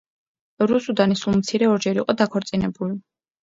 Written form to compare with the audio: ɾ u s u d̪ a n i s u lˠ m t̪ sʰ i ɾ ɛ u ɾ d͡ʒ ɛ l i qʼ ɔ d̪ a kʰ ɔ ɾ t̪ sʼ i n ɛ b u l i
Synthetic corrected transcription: ɾ u s u d̪ a n i s u lˠ m t̪ sʰ i ɾ ɛ ɔ ɾ d͡ʒ ɛ ɾ i qʼ ɔ d̪ a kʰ ɔ ɾ t̪ sʼ i n ɛ b u l i